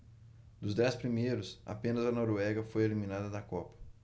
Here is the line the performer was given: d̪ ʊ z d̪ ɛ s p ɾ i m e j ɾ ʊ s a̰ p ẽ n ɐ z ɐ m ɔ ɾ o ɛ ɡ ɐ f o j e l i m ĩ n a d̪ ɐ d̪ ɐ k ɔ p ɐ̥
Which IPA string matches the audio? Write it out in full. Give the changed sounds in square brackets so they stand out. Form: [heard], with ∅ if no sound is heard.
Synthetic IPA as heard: d̪ ʊ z d̪ ɛ s p ɾ i m e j ɾ ʊ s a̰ p ẽ n ɐ z ɐ [n] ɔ ɾ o ɛ ɡ ɐ f o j e l i m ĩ n a d̪ ɐ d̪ ɐ k ɔ p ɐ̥